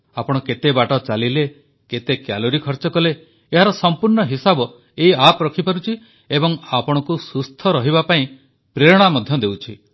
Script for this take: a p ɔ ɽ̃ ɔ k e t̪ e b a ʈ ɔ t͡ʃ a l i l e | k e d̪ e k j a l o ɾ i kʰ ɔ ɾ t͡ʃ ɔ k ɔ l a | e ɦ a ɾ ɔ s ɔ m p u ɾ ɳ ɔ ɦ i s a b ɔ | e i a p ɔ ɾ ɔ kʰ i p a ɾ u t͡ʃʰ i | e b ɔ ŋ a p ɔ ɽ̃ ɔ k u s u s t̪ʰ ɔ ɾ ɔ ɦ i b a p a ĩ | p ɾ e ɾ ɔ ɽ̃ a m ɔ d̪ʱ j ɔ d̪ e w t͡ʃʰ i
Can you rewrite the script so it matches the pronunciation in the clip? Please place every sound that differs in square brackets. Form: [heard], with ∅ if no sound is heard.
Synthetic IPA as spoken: a p ɔ ɽ̃ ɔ k e t̪ e b a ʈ ɔ t͡ʃ a l i l e | k e [t̪] e k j a l o ɾ i kʰ ɔ ɾ t͡ʃ ɔ k ɔ l [e] | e ɦ a ɾ ɔ s ɔ m p u ɾ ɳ ɔ ɦ i s a b ɔ | e i a p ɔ ɾ ɔ kʰ i p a ɾ u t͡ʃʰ i | e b ɔ ŋ a p ɔ ɽ̃ ɔ k u s u s t̪ʰ ɔ ɾ ɔ ɦ i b a p a ĩ | p ɾ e ɾ ɔ ɽ̃ a m ɔ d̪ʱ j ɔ d̪ e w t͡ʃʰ i